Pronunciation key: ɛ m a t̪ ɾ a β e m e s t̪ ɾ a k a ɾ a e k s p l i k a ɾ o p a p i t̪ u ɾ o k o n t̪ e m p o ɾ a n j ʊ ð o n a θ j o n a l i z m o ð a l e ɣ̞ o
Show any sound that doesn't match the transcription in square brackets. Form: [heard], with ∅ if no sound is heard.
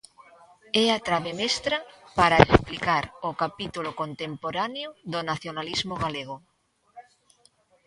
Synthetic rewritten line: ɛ [∅] a t̪ ɾ a β e m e s t̪ ɾ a [p] a ɾ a e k s p l i k a ɾ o [k] a p i t̪ u [l] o k o n t̪ e m p o ɾ a n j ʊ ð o n a θ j o n a l i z m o [ɣ] a l e ɣ̞ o

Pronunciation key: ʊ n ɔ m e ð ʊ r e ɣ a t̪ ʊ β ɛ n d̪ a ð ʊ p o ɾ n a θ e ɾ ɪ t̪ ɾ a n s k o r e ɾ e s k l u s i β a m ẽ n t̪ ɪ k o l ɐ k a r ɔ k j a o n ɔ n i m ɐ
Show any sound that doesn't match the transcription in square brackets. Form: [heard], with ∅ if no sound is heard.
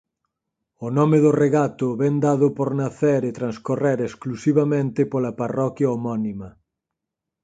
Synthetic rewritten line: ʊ n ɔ m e ð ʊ r e ɣ a t̪ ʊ β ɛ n d̪ a ð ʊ p o ɾ n a θ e ɾ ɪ t̪ ɾ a n s k o r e ɾ e s k l u s i β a m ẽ n t̪ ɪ [p] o l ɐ [p] a r ɔ k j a o [m] ɔ n i m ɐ

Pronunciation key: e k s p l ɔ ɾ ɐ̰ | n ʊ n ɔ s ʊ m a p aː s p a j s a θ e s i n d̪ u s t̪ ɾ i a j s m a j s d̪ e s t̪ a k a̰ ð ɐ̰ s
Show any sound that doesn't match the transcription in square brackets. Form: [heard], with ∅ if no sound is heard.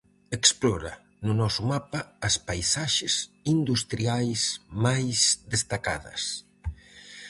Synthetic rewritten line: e k s p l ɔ ɾ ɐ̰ | n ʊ n ɔ s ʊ m a p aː s p a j s a [ʃ] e s i n d̪ u s t̪ ɾ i a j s m a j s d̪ e s t̪ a k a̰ ð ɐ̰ s

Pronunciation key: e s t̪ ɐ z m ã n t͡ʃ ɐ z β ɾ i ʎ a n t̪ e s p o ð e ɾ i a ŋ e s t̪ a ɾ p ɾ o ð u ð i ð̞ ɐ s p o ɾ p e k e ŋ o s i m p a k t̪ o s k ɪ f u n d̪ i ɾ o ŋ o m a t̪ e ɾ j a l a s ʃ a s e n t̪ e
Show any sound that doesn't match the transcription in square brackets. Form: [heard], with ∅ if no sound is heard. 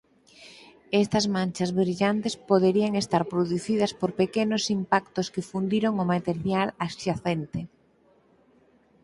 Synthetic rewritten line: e s t̪ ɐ z m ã n t͡ʃ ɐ z β ɾ i ʎ a n t̪ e s p o ð e ɾ i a ŋ e s t̪ a ɾ p ɾ o ð u [θ] i ð̞ ɐ s p o ɾ p e k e [n] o s i m p a k t̪ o s k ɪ f u n d̪ i ɾ o ŋ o m a t̪ e ɾ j a l a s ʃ a [θ] e n t̪ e

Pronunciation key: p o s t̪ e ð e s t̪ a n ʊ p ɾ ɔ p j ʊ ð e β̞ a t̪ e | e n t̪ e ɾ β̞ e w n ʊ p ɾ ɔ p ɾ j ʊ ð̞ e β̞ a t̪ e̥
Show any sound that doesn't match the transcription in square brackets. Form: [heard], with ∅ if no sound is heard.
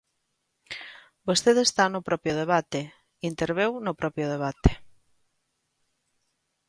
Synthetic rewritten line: [b] o s t̪ e ð e s t̪ a n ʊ p ɾ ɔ p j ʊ ð e β̞ a t̪ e | [i] n t̪ e ɾ β̞ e w n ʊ p ɾ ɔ p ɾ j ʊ ð̞ e β̞ a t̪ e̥

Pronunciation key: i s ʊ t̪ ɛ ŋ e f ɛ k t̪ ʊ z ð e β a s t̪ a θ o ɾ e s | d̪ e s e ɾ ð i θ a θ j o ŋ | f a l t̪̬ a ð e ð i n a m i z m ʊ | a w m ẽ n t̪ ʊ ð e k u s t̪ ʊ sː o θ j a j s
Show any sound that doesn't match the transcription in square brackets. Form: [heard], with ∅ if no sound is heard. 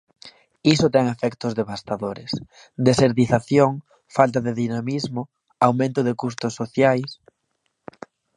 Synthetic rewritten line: i s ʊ t̪ ɛ ŋ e f ɛ k t̪ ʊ z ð e β a s t̪ a [ð] o ɾ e s | d̪ e s e ɾ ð i θ a θ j o ŋ | f a l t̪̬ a ð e ð i n a m i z m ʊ | a w m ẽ n t̪ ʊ ð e k u s t̪ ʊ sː o θ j a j s

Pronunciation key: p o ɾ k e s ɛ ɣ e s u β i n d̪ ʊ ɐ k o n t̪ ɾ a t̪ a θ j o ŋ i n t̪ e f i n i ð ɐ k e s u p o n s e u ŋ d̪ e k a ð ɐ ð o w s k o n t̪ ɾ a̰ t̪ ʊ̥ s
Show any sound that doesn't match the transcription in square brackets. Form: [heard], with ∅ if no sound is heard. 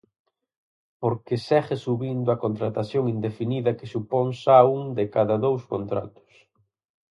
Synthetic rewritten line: p o ɾ k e s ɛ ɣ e s u β i n d̪ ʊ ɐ k o n t̪ ɾ a t̪ a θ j o ŋ i n [d̪] e f i n i ð ɐ k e s u p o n s [a] u ŋ d̪ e k a ð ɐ ð o w s k o n t̪ ɾ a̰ t̪ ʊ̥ s

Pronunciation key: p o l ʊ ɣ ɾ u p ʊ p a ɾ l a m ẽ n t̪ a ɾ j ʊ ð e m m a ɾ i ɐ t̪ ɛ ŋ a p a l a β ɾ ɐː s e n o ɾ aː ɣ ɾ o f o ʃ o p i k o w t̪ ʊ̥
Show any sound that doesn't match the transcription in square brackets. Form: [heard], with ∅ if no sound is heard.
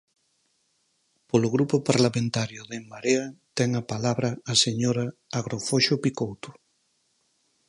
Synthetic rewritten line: p o l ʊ ɣ ɾ u p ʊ p a ɾ l a m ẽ n t̪ a ɾ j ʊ ð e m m a ɾ [e] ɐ t̪ ɛ ŋ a p a l a β ɾ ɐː s e [ɲ] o ɾ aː ɣ ɾ o f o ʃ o p i k o w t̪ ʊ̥

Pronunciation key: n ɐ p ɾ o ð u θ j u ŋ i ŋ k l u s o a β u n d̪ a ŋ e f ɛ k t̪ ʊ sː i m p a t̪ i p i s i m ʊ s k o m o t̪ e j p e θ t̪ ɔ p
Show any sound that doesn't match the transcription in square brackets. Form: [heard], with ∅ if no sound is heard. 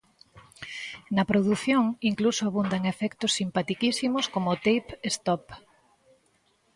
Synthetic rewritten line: n ɐ p ɾ o ð u θ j [o] ŋ i ŋ k l u s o a β u n d̪ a ŋ e f ɛ k t̪ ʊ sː i m p a t̪ i [k] i s i m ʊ s k o m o t̪ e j p e [s] t̪ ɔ p

